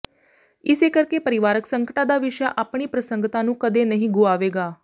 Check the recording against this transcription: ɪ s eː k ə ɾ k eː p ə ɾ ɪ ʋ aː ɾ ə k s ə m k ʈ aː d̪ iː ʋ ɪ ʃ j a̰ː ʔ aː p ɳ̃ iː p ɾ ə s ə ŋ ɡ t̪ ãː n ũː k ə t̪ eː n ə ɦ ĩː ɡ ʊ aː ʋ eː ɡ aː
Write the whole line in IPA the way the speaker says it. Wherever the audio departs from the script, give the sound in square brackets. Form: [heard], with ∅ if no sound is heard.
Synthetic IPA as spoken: ɪ s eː k ə ɾ k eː p ə ɾ ɪ ʋ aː ɾ ə k s ə [ŋ] k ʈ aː d̪ [aː] ʋ ɪ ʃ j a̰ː ʔ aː p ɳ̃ iː p ɾ ə s ə ŋ ɡ t̪ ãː n ũː k ə [d̪] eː n ə ɦ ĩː ɡ ʊ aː ʋ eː ɡ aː